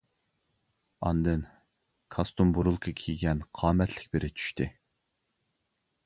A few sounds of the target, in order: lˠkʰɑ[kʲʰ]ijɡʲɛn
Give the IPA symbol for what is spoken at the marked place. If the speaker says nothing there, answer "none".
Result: kʲʰ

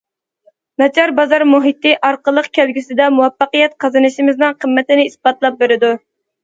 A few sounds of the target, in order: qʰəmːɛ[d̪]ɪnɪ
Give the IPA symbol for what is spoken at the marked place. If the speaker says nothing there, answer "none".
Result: t̪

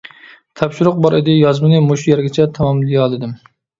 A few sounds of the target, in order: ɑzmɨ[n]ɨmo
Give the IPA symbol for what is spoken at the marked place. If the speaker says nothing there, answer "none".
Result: n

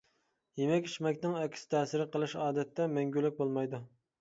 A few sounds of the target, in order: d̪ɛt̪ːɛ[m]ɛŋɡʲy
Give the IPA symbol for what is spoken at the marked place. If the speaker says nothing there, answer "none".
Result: m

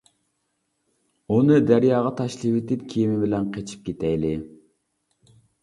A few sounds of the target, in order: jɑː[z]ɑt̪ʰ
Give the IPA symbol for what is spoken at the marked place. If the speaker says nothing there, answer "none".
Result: ʁ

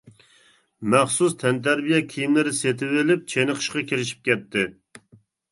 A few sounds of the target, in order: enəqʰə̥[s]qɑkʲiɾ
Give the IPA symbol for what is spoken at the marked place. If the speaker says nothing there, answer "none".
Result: ʃ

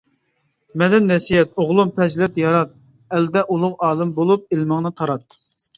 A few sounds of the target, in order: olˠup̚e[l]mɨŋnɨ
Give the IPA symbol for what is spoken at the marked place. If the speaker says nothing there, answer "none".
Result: l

